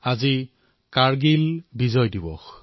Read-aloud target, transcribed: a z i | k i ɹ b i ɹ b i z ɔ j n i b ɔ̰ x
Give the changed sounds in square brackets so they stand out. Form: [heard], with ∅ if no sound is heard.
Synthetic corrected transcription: a z i | k [a] ɹ [ɡ] i [l] b i z ɔ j [d] i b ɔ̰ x

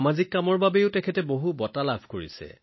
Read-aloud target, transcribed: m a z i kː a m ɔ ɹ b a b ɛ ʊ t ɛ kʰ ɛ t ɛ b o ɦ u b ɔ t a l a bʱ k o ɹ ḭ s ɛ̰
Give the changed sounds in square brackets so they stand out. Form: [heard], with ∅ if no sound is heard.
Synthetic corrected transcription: m a z i kː a m ɔ ɹ b a b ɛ ʊ t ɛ kʰ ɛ t ɛ b o ɦ u b ɔ t a l a bʱ k o ɹ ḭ s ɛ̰

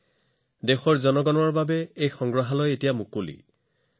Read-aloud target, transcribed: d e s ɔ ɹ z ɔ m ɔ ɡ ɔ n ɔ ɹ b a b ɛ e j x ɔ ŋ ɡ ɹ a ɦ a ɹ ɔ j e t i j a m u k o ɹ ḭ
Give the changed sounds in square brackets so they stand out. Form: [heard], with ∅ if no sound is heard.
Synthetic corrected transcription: d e [x] ɔ ɹ z ɔ [n] ɔ ɡ ɔ n ɔ ɹ b a b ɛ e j x ɔ ŋ ɡ ɹ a ɦ a [l] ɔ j e t i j a m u k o [l] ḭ

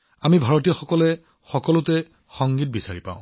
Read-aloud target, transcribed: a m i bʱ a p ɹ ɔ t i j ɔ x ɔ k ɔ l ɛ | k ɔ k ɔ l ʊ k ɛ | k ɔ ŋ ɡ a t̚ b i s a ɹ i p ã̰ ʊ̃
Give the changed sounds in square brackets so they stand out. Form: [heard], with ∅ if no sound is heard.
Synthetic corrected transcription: a m i bʱ a [∅] ɹ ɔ t i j ɔ x ɔ k ɔ l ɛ | [x] ɔ k ɔ l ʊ [t] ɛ | [x] ɔ ŋ ɡ [i] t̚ b i s a ɹ i p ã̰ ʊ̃

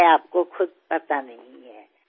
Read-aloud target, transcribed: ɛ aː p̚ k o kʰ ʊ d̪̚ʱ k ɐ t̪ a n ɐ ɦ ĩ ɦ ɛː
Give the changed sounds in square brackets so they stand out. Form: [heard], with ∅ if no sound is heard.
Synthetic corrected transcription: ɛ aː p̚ k o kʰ ʊ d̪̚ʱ [p] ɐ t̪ a n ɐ ɦ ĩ ɦ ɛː

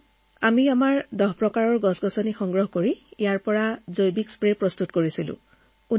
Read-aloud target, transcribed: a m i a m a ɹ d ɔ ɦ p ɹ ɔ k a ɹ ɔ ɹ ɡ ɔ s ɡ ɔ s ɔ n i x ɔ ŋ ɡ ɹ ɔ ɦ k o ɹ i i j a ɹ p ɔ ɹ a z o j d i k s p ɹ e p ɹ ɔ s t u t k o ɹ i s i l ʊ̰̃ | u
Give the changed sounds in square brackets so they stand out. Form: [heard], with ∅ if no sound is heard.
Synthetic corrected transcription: a m i a m a ɹ d ɔ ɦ p ɹ ɔ k a ɹ ɔ ɹ ɡ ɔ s ɡ ɔ s ɔ n i x ɔ ŋ ɡ ɹ ɔ ɦ k o ɹ i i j a ɹ p ɔ ɹ a z o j [b] i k s p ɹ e p ɹ ɔ s t u t k o ɹ i s i l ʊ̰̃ | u

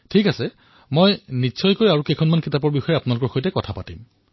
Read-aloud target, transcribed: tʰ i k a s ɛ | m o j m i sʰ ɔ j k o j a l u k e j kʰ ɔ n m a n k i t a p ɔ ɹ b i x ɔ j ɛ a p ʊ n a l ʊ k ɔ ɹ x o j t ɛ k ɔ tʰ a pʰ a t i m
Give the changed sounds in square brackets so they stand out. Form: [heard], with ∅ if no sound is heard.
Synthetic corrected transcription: tʰ i k a s ɛ | m o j [n] i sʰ ɔ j k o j a [ɹ] u k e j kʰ ɔ n m a n k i t a p ɔ ɹ b i x ɔ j ɛ a p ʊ n a l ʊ k ɔ ɹ x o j t ɛ k ɔ tʰ a [p] a t i m

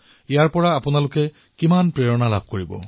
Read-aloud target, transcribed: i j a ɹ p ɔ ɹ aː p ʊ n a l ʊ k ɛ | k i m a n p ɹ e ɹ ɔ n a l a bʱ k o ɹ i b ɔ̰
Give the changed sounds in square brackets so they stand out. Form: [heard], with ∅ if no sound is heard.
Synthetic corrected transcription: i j a ɹ p ɔ ɹ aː p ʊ n a l ʊ k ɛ | k i m a n p ɹ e ɹ ɔ n a l a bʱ k o ɹ i b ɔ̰

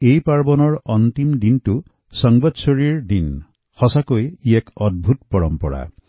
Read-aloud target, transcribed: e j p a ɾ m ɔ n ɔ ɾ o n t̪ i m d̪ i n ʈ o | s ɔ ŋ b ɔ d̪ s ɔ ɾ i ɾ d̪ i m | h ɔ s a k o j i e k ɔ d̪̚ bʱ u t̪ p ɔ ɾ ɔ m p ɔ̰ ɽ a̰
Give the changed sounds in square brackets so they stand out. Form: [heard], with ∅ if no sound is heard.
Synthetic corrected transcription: e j p a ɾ [b] ɔ n ɔ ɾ [ɔ] n t̪ i m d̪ i n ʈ [u] | s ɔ ŋ b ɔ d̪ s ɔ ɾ i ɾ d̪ i [n] | h ɔ s a k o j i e k ɔ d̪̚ bʱ u t̪ p ɔ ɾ ɔ m p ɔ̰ ɽ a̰

